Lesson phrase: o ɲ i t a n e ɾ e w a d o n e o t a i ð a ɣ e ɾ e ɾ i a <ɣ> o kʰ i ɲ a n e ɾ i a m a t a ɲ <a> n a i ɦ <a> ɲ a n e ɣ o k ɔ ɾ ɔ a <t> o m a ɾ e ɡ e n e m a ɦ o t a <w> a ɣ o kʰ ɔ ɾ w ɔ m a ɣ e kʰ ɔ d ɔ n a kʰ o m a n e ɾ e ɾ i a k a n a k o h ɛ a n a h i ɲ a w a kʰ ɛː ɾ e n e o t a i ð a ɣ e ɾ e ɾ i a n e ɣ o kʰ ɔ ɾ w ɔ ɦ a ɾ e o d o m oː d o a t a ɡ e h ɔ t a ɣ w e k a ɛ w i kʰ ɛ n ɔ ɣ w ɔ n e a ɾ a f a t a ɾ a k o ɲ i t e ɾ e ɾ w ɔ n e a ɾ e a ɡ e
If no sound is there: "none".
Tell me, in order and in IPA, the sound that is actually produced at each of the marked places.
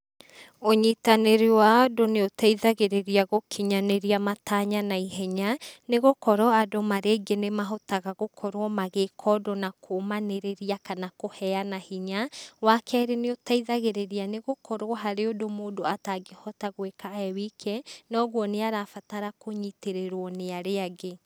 ɣ, a, ɛ, d, ɣ

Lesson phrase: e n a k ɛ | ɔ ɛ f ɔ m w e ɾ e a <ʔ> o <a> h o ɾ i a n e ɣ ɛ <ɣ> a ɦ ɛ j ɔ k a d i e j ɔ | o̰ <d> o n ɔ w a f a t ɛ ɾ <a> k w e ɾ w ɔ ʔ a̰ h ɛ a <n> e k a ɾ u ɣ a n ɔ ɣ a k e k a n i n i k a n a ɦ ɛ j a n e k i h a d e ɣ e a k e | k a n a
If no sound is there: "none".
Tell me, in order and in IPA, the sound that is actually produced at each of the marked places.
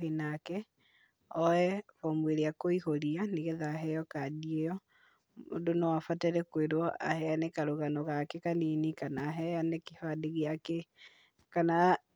k, i, ð, d, ɛ, n

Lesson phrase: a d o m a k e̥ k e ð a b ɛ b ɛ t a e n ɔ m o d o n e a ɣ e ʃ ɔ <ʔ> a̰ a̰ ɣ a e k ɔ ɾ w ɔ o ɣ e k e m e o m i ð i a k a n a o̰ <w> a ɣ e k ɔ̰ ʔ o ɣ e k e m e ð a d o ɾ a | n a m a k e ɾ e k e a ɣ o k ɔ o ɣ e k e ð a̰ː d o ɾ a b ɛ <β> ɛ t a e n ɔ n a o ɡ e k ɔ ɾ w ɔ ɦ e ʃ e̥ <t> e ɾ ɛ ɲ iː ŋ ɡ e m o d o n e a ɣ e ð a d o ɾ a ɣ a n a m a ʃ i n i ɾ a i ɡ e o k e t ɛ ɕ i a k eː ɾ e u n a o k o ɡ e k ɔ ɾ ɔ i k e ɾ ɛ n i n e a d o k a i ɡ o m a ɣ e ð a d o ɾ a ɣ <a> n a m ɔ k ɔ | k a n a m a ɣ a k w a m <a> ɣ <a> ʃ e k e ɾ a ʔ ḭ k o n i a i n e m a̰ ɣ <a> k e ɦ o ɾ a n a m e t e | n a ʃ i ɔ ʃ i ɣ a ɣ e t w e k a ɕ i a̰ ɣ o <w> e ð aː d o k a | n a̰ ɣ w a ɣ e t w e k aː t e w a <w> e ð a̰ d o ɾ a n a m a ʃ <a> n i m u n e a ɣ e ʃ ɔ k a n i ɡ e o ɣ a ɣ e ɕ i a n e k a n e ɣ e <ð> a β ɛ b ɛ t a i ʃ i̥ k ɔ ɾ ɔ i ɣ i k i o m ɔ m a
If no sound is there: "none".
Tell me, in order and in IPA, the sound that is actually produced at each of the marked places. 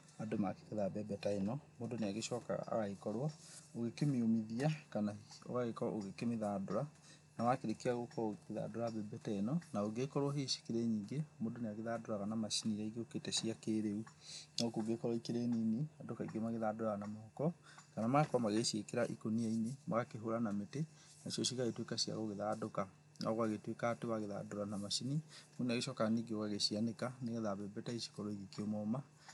k, ɣ, b, k, a, a, e, a, ɣ, ɣ, i, ð

